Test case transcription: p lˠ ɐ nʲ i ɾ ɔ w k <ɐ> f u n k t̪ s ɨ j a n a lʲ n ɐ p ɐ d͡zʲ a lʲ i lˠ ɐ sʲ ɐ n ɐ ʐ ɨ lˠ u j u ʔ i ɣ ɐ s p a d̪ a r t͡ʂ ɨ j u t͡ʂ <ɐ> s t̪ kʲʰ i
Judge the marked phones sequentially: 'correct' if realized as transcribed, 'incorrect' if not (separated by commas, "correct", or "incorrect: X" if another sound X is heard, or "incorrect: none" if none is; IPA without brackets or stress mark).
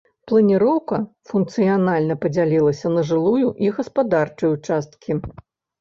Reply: correct, incorrect: a